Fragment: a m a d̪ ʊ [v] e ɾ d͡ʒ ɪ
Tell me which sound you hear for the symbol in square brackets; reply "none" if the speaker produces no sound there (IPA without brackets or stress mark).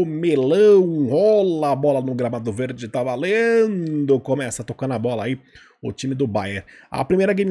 v